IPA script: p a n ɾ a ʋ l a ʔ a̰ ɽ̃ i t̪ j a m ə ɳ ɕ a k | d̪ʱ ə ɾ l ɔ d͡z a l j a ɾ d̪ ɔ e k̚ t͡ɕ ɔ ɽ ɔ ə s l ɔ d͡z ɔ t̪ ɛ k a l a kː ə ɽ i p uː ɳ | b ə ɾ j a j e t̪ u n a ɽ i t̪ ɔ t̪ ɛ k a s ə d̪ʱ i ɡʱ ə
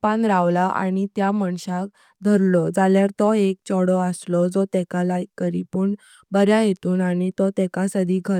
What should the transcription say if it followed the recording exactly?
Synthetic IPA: p a n ɾ a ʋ l a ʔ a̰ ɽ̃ i t̪ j a m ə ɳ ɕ a k | d̪ʱ ə ɾ l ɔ d͡z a l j a ɾ t̪ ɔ e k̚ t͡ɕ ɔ ɽ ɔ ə s l ɔ d͡z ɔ t̪ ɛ k a l a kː ə ɾ i p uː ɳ | b ə ɾ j a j e t̪ uː n a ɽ i t̪ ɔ t̪ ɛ k a s ə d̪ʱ i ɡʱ ə